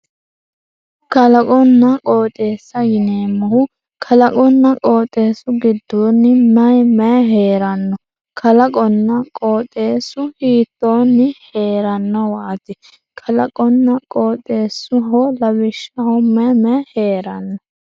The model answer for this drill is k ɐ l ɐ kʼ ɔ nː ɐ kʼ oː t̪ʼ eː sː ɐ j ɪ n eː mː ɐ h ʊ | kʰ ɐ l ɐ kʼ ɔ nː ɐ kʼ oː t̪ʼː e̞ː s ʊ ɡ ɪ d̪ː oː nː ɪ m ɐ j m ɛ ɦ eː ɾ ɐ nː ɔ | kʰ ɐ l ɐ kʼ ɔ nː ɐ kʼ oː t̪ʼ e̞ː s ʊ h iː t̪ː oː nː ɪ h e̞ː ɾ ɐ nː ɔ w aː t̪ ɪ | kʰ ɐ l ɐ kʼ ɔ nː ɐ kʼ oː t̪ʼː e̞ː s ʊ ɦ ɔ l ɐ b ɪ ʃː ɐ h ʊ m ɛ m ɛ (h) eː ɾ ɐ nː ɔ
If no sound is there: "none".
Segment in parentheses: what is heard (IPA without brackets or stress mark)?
h